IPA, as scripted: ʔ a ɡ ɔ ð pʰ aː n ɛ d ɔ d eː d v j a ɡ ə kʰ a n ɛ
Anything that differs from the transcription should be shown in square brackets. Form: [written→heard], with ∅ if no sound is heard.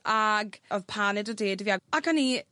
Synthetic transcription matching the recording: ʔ a ɡ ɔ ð pʰ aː n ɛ d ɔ d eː d v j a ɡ [ə→a] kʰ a n [ɛ→i]

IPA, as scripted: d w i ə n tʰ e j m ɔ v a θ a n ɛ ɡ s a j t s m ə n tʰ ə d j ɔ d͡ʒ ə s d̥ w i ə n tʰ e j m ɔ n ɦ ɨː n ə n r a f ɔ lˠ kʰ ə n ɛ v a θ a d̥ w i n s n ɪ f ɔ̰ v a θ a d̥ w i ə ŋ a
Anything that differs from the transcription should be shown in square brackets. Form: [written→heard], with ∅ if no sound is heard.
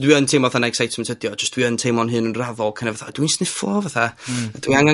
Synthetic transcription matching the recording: d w i ə n tʰ e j m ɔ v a θ a n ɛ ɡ s a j t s m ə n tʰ ə d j ɔ d͡ʒ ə s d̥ w i ə n tʰ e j m ɔ n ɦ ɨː n ə n r a [f→v] ɔ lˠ kʰ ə n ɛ v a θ a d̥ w i n s n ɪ f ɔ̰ v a θ a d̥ w i [ə→a] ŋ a

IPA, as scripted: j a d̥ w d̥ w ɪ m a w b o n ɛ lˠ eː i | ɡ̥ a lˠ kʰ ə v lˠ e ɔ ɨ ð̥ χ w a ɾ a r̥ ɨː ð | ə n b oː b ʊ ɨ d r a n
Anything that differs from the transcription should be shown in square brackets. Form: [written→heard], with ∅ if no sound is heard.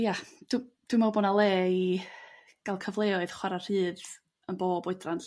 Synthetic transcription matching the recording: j a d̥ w d̥ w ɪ m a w b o n [ɛ→a] lˠ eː i | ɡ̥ a lˠ kʰ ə v lˠ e ɔ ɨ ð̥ χ w a ɾ a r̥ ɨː ð | ə n b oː b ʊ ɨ d r a n

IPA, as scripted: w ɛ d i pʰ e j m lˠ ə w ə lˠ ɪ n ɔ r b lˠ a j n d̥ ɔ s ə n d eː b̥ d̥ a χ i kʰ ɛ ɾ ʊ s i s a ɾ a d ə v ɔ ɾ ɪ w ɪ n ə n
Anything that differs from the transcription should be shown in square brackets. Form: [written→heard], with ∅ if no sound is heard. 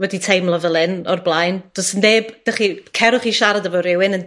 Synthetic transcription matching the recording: w ɛ d i [pʰ→tʰ] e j m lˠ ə [w→v] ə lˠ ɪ n ɔ r b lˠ a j n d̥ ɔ s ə n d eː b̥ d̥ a χ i kʰ ɛ ɾ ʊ [s→χ] i [s→ʃ] a ɾ a d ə v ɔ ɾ ɪ w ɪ n ə n

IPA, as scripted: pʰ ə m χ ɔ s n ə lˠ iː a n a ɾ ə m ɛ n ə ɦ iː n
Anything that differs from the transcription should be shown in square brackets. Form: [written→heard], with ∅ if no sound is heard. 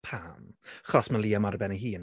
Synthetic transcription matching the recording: pʰ [ə→a] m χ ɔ s [n→m] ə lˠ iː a [n→m] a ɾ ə [m→b] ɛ n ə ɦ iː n

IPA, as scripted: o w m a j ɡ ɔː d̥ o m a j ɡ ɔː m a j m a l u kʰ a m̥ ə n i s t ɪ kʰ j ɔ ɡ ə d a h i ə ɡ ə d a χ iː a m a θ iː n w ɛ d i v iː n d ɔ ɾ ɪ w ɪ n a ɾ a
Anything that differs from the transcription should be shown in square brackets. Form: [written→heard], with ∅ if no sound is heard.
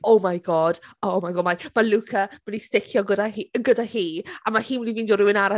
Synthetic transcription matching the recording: o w m a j ɡ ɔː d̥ o m a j ɡ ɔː m a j m a l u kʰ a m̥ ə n i s t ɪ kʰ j ɔ ɡ ə d a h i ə ɡ ə d a [χ→h] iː a m a [θ→h] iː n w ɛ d i v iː n d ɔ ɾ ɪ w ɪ n a ɾ a

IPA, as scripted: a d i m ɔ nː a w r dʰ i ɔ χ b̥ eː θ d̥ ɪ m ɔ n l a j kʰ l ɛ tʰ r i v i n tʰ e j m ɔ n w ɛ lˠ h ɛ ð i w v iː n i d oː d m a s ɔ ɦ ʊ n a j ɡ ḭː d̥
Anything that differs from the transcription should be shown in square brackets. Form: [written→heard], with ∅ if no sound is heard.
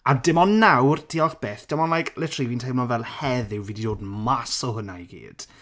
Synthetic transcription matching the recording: a d [i→ɪ] m ɔ nː a w r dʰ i ɔ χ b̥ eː θ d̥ ɪ m ɔ n l a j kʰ l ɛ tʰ r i v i n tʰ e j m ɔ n [w→v] ɛ lˠ h ɛ ð [i→ɪ] w v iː [n→d] i d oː d m a s ɔ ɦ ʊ n a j ɡ ḭː d̥

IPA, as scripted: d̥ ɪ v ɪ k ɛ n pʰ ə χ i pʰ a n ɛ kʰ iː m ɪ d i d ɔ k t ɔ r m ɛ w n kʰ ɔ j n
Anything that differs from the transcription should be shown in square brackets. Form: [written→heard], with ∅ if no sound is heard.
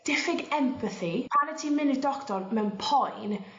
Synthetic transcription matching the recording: d̥ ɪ [v→f] ɪ [k→ɡ] ɛ [n→m] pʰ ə [χ→θ] i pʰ a n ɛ [kʰ→tʰ] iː m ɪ [d→n] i d ɔ k t ɔ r m ɛ w n [kʰ→pʰ] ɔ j n

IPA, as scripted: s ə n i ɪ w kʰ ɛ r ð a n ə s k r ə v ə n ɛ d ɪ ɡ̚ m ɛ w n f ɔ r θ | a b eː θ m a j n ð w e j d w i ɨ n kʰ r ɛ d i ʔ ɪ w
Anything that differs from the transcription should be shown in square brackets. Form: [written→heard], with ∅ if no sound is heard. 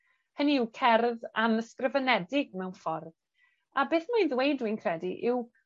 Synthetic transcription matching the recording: [s→h] ə n i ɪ w kʰ ɛ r ð a n ə s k r ə v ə n ɛ d ɪ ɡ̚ m ɛ w n f ɔ r [θ→ð] | a b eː θ m a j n ð w e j d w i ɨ n kʰ r ɛ d i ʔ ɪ w

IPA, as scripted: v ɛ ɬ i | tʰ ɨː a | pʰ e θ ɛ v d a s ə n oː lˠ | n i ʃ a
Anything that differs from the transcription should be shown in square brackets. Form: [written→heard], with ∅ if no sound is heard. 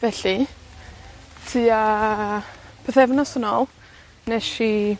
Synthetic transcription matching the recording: v ɛ ɬ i | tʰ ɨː a | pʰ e θ ɛ v [d→n] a s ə n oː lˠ | n [i→ɛ] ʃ [a→i]

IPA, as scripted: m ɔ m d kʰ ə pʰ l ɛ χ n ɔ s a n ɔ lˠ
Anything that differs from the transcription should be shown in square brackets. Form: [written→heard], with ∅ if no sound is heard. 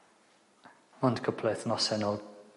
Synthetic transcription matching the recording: m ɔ [m→n] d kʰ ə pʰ l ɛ [χ→θ] n ɔ s [a→ɛ] n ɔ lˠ

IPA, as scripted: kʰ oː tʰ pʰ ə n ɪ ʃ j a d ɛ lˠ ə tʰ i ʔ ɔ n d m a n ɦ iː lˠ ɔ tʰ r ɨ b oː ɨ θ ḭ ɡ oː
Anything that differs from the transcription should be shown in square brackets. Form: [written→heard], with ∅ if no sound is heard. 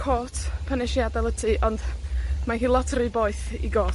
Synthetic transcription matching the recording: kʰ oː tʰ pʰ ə n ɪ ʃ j a d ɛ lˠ ə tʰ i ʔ ɔ n d m a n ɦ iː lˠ ɔ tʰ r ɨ b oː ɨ θ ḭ ɡ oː

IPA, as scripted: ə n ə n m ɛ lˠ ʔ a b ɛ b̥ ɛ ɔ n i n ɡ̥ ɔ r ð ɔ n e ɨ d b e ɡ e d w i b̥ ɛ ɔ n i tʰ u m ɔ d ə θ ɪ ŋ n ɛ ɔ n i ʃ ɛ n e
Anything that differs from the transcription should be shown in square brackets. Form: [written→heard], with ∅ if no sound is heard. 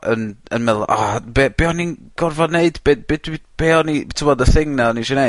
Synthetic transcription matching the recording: ə n ə n m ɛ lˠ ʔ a b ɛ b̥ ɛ ɔ n i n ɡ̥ ɔ r [ð→v] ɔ n e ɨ d b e [ɡ→b] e d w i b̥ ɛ ɔ n i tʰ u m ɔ d ə θ ɪ ŋ n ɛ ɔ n i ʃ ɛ n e

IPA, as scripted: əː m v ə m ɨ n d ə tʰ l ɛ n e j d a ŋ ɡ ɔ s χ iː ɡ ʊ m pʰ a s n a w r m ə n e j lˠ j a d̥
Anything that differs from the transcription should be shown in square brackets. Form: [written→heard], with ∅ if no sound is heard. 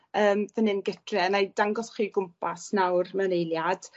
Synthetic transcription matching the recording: əː m v ə [m→n] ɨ n [d→ɡ] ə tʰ [l→r] ɛ n [e→a] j d a ŋ ɡ ɔ s χ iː ɡ ʊ m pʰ a s n a w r m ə n e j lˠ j a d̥

